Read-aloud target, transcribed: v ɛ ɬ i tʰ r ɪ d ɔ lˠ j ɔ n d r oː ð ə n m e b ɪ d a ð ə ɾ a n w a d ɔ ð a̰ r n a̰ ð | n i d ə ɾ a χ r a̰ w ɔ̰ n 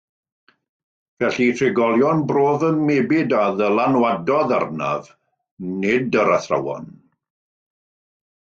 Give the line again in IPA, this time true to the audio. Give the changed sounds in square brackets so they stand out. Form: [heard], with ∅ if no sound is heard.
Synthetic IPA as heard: v ɛ ɬ i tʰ r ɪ [ɡ] ɔ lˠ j ɔ n [b] r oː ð ə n m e b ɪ d a ð ə [l] a n w a d ɔ ð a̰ r n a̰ [v] | n [ɪ] d ə ɾ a [θ] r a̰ w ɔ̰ n